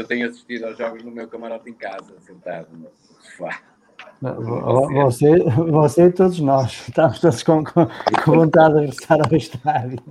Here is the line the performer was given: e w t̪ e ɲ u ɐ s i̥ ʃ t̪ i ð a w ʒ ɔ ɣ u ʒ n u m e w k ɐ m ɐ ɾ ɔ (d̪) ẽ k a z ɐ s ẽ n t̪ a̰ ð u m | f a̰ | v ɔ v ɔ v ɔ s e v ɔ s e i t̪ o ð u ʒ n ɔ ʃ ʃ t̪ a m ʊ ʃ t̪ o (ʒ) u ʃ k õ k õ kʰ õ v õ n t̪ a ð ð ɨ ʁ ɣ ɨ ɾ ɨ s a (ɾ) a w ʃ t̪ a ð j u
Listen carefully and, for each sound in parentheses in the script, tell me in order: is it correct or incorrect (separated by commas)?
incorrect, incorrect, correct